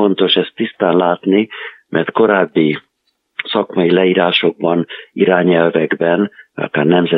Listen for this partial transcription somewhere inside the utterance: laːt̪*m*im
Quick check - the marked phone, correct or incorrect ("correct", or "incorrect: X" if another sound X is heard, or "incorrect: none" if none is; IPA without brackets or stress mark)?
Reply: incorrect: n